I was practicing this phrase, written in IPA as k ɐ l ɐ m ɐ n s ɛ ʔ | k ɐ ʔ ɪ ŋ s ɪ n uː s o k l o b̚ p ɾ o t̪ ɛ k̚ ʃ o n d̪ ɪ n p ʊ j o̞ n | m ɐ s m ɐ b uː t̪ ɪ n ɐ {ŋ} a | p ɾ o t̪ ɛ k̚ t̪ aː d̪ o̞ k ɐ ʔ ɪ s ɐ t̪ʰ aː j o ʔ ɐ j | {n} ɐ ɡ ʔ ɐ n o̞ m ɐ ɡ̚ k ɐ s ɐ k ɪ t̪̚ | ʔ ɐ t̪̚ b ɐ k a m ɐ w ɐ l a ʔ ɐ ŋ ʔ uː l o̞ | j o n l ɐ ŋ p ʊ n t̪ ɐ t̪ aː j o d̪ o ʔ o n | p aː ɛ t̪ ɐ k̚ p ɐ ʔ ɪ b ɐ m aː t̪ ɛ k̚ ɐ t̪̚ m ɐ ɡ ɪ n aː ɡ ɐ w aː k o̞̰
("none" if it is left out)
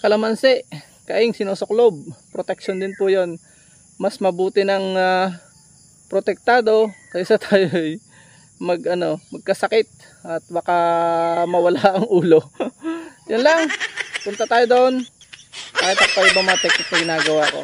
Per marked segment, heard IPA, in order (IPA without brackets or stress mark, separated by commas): ŋ, m